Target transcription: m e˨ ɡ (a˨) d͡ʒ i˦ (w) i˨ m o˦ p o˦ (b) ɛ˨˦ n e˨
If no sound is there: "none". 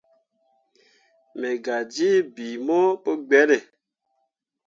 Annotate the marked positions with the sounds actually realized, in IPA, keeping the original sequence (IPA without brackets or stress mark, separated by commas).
a˨, b, ɡ͡b